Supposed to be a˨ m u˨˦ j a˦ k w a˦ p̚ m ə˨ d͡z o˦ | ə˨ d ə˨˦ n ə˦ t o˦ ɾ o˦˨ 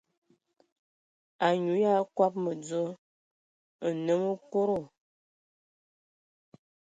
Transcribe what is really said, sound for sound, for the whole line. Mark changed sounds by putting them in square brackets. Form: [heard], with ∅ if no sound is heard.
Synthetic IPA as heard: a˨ [ɲ] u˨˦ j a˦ k w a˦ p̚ m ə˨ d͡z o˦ | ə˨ [n] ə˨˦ [m] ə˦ [k] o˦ ɾ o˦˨